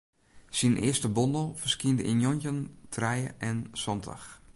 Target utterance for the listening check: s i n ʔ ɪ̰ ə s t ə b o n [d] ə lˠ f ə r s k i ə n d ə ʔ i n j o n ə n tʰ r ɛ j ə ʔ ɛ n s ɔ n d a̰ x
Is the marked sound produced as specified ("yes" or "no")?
yes